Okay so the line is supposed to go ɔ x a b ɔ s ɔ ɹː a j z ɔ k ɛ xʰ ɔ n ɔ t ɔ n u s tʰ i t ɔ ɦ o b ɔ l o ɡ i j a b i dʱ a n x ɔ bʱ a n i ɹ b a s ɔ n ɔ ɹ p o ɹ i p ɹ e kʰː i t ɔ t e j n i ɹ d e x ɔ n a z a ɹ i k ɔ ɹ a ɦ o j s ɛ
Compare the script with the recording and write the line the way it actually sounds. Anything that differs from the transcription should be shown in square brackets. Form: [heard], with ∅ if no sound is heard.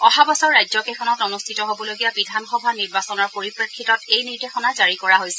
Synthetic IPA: ɔ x a b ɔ s ɔ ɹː a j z ɔ k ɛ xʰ ɔ n ɔ t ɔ n u s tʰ i t ɔ ɦ o b ɔ l o ɡ i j a b i dʱ a n x ɔ bʱ a n i ɹ b a s ɔ n ɔ ɹ p o ɹ i p ɹ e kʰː i t ɔ t e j n i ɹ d e x ɔ n a z a ɹ i k ɔ ɹ a ɦ o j s ɛ